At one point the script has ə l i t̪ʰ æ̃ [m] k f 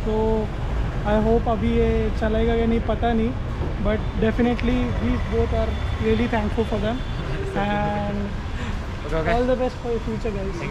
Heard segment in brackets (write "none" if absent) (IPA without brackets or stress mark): ŋ